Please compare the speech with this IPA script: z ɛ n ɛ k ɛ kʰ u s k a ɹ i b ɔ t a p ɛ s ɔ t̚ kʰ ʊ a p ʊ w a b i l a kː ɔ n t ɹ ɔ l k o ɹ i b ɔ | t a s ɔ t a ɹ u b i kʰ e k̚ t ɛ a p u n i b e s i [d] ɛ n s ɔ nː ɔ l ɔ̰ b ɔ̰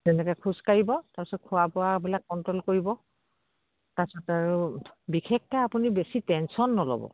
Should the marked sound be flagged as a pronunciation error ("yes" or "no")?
yes